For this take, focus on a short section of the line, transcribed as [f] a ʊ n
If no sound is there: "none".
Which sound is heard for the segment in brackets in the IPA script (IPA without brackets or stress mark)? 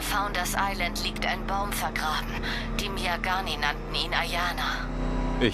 f